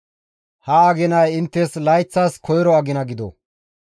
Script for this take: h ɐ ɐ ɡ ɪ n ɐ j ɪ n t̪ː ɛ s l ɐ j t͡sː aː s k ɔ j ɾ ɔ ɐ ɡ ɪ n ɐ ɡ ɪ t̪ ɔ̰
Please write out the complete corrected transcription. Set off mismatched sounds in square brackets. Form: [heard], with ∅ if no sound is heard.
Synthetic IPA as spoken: h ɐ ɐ ɡ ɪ n ɐ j ɪ n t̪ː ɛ s l ɐ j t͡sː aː s k ɔ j ɾ ɔ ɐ ɡ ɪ n ɐ ɡ ɪ [d̪] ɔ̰